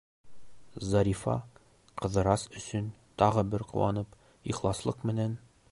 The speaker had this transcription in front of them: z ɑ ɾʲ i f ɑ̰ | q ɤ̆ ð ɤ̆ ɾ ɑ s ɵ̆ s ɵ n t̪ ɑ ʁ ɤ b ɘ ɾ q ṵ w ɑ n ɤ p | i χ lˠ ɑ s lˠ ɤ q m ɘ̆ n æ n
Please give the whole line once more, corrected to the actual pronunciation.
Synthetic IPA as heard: z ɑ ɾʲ i f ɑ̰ | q ɤ̆ ð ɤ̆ ɾ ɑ s ɵ̆ s ɵ n t̪ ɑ ʁ ɤ b ɘ ɾ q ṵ w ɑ n ɤ p | i χ lˠ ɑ s lˠ ɤ q m ɘ̆ n æ n